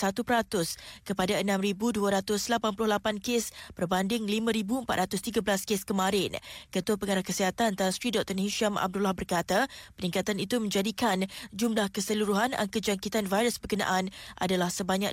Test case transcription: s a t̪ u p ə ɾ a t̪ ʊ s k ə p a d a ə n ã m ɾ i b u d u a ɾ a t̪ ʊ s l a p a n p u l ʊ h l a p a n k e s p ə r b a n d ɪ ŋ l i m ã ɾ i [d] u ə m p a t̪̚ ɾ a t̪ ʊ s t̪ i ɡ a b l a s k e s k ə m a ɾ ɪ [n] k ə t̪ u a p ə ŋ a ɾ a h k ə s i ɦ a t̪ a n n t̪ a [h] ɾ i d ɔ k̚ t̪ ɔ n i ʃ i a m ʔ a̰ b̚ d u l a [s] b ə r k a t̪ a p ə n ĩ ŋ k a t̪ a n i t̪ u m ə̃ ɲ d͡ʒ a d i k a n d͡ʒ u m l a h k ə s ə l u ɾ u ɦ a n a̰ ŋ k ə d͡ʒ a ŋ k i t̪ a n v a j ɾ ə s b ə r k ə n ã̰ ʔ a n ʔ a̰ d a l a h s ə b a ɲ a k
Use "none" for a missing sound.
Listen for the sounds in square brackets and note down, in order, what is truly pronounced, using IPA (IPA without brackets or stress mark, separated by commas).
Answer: b, n, s, h